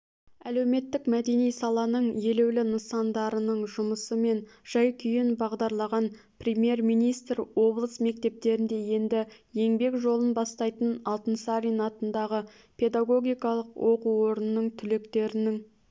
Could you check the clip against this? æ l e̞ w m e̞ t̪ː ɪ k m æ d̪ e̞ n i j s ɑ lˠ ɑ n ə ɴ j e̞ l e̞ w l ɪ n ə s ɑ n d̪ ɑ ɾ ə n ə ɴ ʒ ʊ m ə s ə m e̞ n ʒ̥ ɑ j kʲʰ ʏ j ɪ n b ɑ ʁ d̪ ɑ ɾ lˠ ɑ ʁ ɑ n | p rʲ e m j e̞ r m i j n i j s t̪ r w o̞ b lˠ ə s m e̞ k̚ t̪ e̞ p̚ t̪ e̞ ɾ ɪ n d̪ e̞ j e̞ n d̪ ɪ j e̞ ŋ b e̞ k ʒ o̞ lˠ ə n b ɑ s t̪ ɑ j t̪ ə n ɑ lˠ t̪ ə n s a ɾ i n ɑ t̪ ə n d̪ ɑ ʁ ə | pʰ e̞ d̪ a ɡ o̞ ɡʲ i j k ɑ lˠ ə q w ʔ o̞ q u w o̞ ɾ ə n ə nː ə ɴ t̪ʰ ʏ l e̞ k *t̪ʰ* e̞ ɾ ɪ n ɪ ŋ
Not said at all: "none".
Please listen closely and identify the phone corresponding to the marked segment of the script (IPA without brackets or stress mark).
t̪